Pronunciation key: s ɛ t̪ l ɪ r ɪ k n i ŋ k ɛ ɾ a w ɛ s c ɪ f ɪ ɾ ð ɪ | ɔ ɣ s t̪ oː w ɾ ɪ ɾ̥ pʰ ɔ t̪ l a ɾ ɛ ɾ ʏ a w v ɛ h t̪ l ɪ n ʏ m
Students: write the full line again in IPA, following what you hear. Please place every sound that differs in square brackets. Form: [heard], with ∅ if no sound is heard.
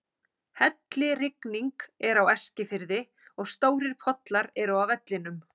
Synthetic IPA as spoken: [h] ɛ t̪ l ɪ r ɪ k n i ŋ k ɛ ɾ a w ɛ s c ɪ f ɪ ɾ ð ɪ | ɔ ɣ s t̪ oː w ɾ ɪ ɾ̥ pʰ ɔ t̪ l a ɾ ɛ ɾ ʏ a w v ɛ [∅] t̪ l ɪ n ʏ m